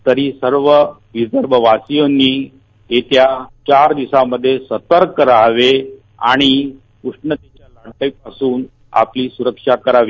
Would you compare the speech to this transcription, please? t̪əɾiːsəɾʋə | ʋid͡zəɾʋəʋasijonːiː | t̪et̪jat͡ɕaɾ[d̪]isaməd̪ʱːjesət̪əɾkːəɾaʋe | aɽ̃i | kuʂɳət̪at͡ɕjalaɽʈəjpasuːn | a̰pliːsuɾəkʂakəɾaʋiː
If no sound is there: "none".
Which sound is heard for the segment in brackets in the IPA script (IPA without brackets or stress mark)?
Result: d̪